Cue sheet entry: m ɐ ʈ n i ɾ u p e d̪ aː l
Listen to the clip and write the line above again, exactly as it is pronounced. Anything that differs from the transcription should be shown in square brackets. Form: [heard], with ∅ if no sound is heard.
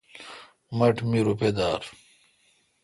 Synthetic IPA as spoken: m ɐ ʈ [m] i ɾ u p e d̪ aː [ɾ]